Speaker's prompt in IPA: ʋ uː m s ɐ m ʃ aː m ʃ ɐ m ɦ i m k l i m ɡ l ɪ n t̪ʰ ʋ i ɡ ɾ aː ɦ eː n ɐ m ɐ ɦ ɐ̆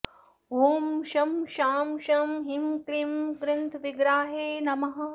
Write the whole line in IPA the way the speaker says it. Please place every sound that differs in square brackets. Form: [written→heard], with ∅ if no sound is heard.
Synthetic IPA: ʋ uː m [s→ʃ] ɐ m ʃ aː m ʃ ɐ m ɦ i m k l i m ɡ [l→ɾ] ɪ n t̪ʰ ʋ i ɡ ɾ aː ɦ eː n ɐ m ɐ ɦ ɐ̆